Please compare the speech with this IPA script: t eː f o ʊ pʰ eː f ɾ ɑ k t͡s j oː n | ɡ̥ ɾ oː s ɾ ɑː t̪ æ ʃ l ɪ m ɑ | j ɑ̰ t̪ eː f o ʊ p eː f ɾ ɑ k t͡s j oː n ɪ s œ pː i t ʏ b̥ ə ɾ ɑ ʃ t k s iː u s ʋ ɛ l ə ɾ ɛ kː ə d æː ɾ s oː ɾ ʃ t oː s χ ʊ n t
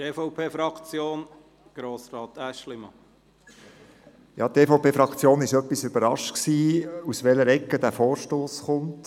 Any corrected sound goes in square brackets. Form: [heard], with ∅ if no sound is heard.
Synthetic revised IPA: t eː f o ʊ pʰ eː f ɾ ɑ k t͡s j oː n | ɡ̥ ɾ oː s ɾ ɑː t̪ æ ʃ l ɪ m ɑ | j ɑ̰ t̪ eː f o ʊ p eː f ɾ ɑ k t͡s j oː n ɪ [ʃ] œ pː i [s] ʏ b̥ ə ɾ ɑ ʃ t k s iː u s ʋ ɛ l ə ɾ ɛ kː ə d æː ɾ [f] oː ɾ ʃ t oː s χ ʊ n t